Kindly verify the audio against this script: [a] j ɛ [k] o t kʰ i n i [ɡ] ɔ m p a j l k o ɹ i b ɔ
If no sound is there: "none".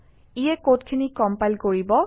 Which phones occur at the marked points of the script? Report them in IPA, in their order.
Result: i, k, k

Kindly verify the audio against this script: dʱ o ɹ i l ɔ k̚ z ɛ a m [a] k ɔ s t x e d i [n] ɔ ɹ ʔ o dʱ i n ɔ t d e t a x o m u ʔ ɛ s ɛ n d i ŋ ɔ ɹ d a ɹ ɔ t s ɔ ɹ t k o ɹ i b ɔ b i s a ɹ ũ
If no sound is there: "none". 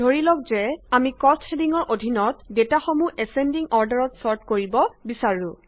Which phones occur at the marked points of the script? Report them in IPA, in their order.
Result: i, ŋ

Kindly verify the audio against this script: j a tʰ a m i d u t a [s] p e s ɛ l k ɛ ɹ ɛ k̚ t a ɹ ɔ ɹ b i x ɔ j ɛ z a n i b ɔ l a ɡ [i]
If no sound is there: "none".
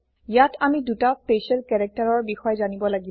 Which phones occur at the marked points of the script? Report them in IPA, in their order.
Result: s, i

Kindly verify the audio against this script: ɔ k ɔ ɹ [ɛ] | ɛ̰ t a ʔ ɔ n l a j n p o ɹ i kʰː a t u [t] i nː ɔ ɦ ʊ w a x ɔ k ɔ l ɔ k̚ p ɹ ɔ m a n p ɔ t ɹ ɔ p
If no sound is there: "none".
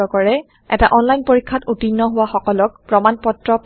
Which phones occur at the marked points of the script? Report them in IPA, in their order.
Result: ɛ, t

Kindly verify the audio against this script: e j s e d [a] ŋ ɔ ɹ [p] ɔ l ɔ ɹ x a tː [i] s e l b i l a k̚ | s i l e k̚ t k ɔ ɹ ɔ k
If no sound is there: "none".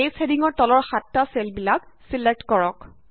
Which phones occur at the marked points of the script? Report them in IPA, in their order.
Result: i, t, a

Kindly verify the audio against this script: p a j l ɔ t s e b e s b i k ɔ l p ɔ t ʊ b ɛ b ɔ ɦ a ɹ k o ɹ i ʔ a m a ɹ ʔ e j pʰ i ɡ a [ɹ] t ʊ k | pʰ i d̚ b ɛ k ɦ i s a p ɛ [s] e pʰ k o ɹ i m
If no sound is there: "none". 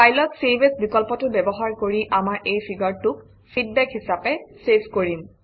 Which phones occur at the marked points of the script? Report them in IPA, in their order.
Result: ɹ, s

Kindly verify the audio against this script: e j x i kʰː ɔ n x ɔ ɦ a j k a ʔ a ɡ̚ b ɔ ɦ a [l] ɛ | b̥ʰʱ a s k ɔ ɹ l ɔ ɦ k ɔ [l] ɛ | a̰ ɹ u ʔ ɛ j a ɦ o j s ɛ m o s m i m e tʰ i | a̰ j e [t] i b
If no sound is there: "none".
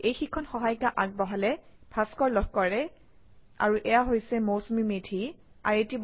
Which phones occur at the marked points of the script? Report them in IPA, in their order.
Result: l, ɹ, t

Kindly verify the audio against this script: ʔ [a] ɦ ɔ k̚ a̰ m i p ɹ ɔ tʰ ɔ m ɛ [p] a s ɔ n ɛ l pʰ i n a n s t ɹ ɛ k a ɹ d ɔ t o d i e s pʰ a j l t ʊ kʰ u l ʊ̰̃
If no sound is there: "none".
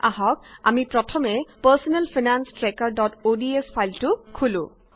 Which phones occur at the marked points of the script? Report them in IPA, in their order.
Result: a, p

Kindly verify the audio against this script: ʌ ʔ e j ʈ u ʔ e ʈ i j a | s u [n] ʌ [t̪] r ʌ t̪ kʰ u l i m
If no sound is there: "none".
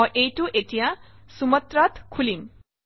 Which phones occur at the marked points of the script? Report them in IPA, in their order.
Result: m, t̪

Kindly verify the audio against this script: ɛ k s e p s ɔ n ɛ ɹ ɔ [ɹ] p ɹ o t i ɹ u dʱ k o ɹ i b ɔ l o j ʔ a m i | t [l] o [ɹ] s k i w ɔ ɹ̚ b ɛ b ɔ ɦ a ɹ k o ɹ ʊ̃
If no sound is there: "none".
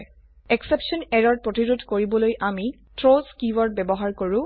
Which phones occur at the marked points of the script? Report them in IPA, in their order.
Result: ɹ, ɹ, none

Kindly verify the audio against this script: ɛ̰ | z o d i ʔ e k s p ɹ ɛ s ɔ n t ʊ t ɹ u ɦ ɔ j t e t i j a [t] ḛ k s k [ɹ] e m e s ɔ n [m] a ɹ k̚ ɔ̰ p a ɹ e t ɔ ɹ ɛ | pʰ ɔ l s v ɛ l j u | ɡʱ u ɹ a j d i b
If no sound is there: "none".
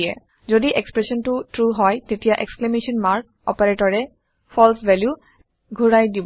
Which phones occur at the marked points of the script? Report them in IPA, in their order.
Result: ʔ, l, m

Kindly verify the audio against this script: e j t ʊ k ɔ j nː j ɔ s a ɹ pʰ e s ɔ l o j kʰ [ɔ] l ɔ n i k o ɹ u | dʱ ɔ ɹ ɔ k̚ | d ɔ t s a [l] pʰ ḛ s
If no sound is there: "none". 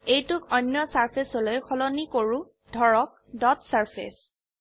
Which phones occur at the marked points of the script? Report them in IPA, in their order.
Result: ɔ, ɹ

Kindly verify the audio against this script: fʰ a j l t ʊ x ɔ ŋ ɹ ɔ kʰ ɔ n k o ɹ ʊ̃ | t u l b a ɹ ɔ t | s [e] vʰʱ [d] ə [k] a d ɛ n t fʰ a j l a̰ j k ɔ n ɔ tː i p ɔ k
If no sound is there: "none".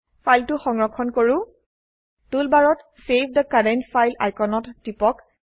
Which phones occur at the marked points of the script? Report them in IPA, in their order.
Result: e, d, k

